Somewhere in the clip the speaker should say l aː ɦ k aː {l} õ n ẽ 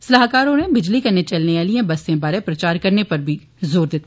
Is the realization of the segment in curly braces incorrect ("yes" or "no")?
yes